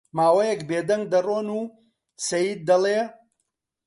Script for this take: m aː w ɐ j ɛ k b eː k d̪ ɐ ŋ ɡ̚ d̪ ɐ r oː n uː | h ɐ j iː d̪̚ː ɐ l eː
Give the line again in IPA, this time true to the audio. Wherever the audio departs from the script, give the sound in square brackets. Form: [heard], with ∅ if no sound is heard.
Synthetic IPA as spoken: m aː w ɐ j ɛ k b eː [∅] d̪ ɐ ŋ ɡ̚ d̪ ɐ r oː n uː | [s] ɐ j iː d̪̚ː ɐ l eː